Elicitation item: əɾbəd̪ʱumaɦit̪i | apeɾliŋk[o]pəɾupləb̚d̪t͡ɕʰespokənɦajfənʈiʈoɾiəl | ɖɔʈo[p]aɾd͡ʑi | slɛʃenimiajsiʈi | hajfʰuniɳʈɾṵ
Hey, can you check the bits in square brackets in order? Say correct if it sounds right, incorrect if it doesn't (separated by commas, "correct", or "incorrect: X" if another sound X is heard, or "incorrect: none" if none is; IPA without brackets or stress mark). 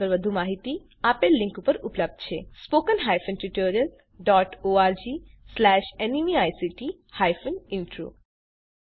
incorrect: u, incorrect: none